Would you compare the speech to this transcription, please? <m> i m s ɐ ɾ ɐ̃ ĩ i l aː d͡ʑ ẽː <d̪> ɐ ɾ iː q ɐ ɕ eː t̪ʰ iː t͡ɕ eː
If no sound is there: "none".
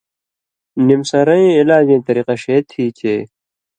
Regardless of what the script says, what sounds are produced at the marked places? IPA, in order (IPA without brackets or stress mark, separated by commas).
n, t̪